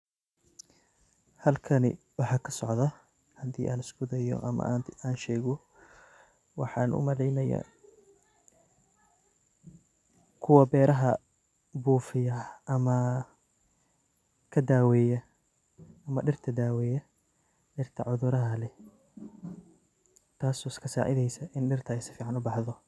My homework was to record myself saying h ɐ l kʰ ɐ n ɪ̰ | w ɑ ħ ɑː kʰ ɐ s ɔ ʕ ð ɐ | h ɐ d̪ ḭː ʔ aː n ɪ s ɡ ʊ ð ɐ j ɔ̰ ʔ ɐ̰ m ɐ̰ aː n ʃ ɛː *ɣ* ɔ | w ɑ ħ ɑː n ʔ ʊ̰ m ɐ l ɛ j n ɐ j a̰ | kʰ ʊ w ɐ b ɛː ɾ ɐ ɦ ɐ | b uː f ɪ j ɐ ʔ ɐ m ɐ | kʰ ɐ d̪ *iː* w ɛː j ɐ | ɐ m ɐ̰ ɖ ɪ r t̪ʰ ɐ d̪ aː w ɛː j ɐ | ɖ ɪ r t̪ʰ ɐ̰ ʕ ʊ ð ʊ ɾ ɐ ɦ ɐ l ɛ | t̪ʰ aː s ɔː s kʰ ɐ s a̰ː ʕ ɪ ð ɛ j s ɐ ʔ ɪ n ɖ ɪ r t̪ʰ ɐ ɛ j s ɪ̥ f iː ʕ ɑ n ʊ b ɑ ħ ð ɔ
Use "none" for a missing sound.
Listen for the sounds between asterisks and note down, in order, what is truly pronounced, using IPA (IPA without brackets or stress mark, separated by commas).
ɣ, aː